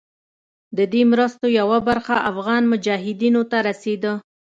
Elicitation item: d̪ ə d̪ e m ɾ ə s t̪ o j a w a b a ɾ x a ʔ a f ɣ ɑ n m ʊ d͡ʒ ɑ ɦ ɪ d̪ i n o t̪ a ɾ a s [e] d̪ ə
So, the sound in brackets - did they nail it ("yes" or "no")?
yes